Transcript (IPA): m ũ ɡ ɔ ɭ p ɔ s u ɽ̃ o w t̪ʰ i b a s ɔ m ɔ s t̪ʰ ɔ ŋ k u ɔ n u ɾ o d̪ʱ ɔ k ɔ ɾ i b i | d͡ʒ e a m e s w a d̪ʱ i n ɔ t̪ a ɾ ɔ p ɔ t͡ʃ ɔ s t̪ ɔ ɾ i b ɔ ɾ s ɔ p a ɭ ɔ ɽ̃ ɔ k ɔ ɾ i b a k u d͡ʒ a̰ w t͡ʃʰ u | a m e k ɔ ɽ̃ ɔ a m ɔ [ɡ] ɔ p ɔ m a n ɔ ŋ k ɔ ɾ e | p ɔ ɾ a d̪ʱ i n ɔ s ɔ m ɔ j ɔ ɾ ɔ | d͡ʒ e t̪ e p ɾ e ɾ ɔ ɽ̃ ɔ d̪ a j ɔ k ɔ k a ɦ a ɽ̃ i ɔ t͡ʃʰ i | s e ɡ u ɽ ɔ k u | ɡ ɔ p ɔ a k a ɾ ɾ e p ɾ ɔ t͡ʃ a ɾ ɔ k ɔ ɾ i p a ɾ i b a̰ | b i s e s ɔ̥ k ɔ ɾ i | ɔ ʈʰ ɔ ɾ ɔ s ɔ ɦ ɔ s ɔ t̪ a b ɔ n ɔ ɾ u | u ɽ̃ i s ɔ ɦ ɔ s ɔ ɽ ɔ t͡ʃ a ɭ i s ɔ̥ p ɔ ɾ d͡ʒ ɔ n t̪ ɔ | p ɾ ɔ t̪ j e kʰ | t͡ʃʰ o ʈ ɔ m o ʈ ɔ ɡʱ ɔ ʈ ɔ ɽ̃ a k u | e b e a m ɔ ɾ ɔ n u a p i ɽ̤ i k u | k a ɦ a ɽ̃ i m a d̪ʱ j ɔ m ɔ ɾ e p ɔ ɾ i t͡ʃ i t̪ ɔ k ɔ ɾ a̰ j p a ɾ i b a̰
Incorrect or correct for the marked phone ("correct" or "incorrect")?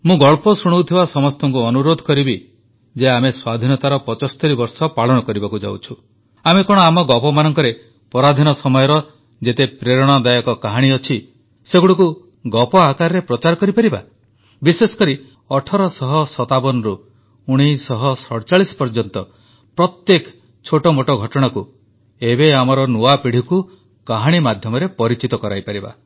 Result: correct